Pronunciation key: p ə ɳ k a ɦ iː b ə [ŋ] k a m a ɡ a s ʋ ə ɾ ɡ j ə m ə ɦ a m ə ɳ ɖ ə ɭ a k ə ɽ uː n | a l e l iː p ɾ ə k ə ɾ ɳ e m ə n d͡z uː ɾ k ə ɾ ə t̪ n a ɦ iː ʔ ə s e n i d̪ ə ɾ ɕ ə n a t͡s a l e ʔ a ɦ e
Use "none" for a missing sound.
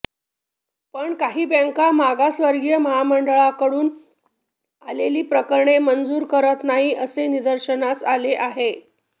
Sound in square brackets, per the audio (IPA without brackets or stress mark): ŋ